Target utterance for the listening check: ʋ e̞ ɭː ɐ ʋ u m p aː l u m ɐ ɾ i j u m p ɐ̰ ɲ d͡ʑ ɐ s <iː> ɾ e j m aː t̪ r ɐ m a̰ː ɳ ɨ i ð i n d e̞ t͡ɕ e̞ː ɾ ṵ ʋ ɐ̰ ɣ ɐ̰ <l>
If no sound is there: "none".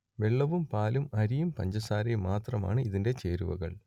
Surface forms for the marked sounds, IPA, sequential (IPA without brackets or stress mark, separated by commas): aː, ɭ